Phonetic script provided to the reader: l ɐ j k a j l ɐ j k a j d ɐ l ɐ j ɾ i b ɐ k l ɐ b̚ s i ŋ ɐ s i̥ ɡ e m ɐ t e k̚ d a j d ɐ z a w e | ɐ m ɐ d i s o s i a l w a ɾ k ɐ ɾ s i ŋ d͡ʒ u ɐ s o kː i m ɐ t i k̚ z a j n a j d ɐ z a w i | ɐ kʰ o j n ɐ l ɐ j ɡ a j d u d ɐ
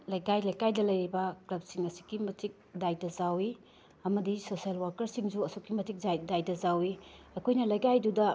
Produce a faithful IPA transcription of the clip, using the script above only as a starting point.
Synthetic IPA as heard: l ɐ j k a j l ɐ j k a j d ɐ l ɐ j ɾ i b ɐ k l ɐ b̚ s i ŋ ɐ s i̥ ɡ i m ɐ t i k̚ d a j d ɐ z a w i | ɐ m ɐ d i s o s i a l w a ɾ k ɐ ɾ s i ŋ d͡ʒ u ɐ s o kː i m ɐ t i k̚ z a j d a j d ɐ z a w i | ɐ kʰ o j n ɐ l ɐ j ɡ a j d u d ɐ